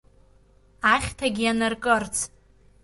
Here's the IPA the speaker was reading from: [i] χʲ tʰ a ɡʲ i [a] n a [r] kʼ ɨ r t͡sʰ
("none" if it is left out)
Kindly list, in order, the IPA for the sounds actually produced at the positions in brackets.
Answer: a, a, r

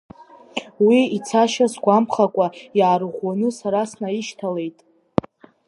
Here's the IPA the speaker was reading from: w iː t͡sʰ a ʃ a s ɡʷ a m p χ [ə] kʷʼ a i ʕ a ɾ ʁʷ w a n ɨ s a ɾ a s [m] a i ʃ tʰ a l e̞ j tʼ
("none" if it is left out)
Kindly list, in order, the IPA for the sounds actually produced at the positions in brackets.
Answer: a, n

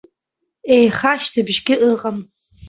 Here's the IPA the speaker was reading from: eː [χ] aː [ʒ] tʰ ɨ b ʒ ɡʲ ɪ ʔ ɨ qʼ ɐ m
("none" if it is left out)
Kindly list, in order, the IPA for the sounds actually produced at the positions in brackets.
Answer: χ, ʃ

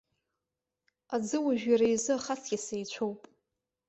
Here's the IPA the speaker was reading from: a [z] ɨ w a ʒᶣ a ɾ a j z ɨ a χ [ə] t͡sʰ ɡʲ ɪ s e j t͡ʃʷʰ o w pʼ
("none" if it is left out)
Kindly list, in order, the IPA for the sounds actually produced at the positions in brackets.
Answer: d͡z, a

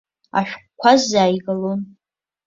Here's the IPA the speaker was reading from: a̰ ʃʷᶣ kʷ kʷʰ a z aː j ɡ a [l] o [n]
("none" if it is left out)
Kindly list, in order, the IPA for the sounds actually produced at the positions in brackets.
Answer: l, n

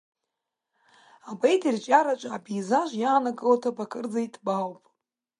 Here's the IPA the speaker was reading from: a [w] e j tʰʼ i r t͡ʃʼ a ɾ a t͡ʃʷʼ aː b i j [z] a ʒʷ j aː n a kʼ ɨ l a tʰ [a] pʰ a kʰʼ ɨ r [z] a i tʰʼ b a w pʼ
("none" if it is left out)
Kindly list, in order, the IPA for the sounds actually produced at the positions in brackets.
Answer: b, z, a, d͡z

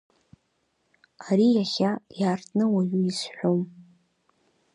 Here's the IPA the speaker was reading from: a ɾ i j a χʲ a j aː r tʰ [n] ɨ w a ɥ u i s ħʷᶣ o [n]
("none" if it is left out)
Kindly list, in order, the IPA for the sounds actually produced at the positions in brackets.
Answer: n, m

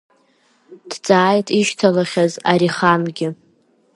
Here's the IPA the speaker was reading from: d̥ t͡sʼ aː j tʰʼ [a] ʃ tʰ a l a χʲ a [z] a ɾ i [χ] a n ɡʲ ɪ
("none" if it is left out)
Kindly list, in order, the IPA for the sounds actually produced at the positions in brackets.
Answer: i, z, χ

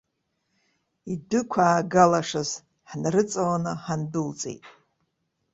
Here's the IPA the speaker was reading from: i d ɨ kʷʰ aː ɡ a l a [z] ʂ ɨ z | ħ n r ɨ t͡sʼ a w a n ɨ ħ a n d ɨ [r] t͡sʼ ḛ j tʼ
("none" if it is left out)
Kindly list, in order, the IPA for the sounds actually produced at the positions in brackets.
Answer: none, l

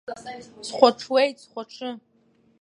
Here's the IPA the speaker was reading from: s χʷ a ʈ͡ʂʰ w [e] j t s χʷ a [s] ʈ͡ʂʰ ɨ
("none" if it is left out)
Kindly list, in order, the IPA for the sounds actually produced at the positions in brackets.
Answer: e, none

